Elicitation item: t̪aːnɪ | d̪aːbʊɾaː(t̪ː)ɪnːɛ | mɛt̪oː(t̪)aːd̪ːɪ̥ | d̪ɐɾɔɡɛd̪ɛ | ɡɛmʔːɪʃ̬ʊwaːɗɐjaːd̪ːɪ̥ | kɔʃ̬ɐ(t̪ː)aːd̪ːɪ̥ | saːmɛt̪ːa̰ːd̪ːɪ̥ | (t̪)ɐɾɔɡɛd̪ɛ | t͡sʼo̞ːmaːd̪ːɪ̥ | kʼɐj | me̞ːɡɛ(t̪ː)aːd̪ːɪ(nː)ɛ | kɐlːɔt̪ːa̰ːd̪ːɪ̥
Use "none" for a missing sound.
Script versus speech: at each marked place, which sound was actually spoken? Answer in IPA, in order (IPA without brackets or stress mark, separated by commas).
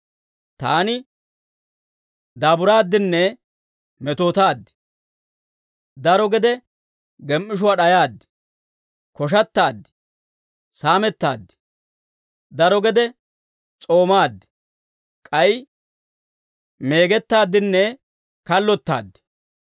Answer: d̪ː, t̪, t̪ː, d̪, t̪ː, nː